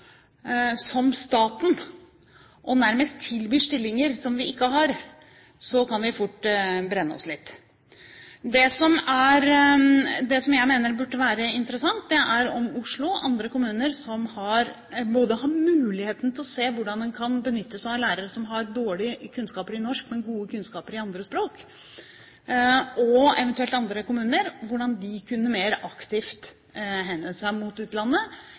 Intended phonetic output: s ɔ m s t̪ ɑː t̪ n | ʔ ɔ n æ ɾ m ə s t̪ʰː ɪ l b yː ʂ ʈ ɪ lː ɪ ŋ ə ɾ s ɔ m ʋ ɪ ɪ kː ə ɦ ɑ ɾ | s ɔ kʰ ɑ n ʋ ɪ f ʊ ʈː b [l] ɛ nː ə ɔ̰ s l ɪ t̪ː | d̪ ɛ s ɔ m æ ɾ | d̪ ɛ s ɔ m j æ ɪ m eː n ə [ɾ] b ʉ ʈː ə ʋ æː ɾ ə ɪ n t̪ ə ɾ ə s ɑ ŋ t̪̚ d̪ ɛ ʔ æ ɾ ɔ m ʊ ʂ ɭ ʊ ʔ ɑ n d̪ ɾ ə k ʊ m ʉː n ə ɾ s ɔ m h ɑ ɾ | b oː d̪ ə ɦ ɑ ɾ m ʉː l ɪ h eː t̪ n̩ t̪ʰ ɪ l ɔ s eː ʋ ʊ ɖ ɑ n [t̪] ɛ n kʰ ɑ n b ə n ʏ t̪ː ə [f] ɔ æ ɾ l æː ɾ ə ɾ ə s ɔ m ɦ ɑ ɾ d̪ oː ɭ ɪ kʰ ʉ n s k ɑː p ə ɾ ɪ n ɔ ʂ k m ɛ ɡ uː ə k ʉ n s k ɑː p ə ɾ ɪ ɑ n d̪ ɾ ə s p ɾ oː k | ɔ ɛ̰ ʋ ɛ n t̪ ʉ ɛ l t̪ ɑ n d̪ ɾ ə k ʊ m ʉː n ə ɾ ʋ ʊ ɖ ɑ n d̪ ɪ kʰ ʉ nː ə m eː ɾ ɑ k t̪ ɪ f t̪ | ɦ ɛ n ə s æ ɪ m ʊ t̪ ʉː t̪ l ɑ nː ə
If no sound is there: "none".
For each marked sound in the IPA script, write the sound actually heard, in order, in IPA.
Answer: ɾ, ɾ, d̪, s

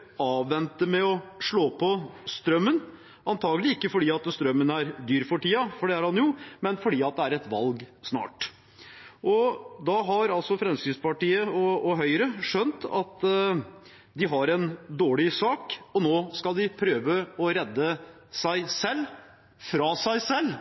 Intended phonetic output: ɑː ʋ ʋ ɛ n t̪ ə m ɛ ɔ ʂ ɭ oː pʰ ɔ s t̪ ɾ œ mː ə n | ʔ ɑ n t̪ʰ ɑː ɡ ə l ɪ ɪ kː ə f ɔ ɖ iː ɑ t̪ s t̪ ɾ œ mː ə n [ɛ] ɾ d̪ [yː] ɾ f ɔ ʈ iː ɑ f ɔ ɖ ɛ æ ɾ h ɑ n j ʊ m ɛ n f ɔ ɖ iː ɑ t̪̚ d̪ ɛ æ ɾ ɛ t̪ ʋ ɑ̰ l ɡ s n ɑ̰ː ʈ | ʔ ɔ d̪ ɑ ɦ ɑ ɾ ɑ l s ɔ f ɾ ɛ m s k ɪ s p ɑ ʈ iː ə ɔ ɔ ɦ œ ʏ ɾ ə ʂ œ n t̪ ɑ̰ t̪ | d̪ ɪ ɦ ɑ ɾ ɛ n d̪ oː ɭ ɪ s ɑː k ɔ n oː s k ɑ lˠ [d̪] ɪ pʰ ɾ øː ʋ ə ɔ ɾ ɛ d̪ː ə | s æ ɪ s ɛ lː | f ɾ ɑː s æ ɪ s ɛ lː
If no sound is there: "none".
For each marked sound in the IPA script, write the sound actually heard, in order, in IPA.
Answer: æ, yː, d̪

